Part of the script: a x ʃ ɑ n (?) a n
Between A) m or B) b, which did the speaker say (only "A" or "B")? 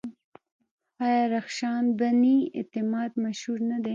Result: B